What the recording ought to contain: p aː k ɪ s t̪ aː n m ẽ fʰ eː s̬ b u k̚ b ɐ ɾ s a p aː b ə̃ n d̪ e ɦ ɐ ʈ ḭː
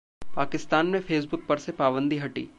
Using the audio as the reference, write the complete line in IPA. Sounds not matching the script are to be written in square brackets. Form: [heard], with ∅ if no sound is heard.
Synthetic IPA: p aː k ɪ s t̪ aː n m ẽ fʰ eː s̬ b [ʊ] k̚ [p] ɐ ɾ s [e] p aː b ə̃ n d̪ [i] ɦ ɐ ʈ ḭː